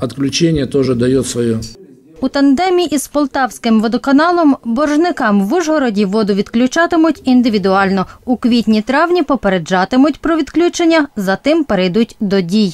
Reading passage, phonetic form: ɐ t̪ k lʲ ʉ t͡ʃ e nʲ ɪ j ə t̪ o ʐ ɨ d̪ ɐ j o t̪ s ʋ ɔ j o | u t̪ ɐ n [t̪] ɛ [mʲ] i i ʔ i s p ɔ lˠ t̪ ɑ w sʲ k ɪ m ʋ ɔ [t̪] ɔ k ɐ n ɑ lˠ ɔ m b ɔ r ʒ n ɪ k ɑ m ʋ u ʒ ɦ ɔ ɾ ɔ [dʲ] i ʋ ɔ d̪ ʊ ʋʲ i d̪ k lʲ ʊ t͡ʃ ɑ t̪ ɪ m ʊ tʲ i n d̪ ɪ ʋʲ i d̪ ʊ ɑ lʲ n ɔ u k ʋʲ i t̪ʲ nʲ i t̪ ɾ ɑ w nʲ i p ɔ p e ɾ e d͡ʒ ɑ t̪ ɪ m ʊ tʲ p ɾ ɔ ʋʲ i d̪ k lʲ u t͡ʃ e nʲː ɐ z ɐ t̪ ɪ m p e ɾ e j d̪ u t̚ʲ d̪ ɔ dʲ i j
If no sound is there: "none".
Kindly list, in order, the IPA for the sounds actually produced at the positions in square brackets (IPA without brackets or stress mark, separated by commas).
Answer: d̪, mʲ, d̪, dʲ